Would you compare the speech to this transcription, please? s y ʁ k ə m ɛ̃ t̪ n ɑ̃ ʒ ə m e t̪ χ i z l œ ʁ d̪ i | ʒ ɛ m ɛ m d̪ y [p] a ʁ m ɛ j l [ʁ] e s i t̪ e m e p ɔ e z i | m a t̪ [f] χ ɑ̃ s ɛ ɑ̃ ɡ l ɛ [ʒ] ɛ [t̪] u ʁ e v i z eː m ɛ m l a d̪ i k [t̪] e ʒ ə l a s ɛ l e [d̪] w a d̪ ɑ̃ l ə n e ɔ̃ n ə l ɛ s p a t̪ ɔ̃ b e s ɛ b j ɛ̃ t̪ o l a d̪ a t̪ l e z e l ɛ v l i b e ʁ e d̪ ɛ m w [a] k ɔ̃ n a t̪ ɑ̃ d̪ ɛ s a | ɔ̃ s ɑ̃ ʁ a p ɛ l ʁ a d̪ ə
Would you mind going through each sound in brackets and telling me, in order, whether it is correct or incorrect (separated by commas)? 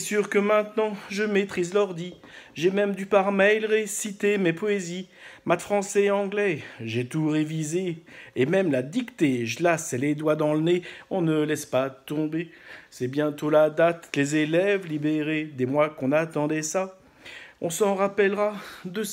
correct, correct, correct, correct, correct, correct, correct, correct